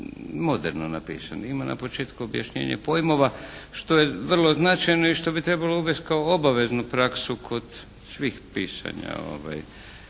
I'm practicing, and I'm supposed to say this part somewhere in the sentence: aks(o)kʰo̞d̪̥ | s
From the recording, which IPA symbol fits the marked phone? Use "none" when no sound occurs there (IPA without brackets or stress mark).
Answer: u